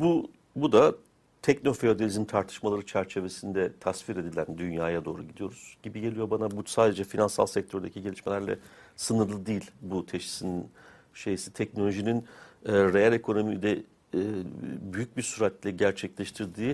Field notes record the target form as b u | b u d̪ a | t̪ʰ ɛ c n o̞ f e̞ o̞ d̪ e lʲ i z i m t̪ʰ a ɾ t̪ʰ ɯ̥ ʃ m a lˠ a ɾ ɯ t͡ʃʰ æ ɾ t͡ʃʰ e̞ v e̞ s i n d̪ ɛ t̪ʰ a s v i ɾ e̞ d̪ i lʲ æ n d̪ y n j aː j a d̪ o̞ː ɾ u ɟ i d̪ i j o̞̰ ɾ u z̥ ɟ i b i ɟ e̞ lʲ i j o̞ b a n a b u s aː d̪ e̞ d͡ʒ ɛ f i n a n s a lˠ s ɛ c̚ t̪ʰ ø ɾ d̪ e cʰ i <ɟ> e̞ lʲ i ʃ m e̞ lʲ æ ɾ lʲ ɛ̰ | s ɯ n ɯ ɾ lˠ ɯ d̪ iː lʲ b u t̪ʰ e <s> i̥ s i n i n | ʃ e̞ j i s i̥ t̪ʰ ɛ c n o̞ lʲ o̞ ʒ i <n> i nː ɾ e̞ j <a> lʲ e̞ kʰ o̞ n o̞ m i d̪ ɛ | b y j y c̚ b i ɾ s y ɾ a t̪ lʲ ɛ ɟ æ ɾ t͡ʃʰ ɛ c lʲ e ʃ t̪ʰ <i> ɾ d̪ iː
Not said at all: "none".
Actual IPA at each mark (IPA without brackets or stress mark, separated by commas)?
ɟ, ʃ, n, a, i